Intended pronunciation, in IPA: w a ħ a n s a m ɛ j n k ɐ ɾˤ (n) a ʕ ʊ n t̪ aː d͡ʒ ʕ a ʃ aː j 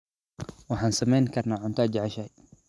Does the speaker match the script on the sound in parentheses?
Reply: yes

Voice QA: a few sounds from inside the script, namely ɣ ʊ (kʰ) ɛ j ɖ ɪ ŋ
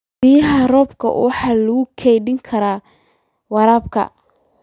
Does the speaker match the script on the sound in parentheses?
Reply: yes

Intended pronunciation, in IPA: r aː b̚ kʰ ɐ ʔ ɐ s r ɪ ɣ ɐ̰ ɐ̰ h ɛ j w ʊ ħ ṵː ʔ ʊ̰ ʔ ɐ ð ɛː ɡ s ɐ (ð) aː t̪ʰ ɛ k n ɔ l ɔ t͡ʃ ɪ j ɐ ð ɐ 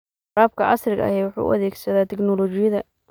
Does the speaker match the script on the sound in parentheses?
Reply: yes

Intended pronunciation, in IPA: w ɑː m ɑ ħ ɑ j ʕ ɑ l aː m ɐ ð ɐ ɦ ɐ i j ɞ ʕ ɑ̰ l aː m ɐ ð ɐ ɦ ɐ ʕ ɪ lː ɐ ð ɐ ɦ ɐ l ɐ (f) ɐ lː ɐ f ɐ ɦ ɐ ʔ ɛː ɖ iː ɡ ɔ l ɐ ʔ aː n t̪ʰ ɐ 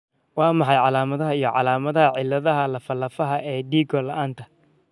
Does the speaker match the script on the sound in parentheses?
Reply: yes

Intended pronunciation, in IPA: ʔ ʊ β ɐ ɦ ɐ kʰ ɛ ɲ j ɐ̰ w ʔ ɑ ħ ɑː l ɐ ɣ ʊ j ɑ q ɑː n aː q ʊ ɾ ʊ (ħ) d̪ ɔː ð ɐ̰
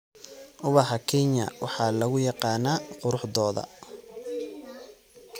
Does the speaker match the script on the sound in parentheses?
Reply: yes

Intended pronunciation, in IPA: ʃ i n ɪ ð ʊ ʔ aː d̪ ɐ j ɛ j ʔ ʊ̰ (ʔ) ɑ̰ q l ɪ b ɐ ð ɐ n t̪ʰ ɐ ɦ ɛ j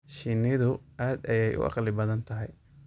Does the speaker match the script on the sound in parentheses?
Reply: yes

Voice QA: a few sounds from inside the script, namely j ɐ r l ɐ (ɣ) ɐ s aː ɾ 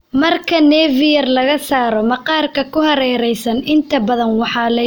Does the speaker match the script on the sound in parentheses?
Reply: yes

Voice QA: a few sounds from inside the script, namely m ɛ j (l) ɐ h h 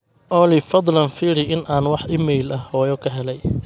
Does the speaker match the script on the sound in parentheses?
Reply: yes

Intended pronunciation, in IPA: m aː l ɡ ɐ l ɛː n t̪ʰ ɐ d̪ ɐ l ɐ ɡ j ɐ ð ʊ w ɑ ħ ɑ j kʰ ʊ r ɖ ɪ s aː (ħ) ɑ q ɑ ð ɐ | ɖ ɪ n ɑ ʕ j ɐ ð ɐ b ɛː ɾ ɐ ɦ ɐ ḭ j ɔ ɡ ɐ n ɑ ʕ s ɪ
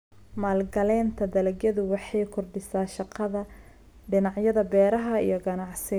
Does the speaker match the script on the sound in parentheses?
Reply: no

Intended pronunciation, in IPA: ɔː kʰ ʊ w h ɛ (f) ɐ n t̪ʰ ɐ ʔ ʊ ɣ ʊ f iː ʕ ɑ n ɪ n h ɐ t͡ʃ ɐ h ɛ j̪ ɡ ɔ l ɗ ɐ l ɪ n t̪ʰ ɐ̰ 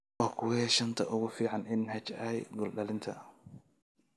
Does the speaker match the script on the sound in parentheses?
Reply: no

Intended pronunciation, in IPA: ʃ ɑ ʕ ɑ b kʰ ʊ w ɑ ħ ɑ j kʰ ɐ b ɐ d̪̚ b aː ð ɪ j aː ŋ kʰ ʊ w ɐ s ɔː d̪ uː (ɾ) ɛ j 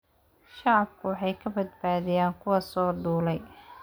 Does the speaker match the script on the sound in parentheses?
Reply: no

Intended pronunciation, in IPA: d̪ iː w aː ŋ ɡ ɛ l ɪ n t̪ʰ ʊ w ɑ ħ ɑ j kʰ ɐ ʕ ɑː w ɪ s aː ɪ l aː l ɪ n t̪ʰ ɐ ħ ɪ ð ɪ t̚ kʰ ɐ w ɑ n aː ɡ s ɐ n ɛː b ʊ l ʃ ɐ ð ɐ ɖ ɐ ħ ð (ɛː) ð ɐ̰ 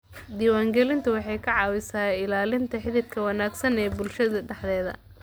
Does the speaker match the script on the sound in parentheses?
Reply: yes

